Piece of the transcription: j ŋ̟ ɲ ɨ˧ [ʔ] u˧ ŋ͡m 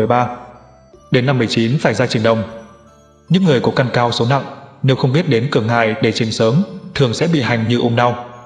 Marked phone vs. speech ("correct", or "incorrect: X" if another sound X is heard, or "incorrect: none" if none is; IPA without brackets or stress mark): correct